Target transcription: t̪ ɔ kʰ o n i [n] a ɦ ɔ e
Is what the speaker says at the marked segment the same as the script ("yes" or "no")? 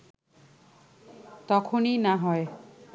yes